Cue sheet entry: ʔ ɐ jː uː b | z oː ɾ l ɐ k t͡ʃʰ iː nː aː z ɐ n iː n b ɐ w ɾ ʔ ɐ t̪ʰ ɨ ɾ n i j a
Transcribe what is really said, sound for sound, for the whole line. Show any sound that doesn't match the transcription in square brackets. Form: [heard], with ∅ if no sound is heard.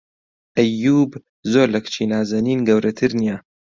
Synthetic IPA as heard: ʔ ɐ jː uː b | z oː ɾ l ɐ k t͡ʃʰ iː [n] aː z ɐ n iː n [ɡ] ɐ w ɾ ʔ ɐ t̪ʰ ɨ ɾ n i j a